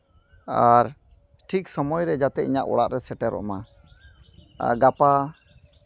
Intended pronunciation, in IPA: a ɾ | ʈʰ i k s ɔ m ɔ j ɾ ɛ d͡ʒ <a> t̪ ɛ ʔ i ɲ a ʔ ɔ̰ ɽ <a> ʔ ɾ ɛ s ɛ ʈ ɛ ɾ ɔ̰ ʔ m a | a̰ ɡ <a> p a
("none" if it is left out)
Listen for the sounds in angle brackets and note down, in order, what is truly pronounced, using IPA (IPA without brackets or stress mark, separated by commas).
a, a, a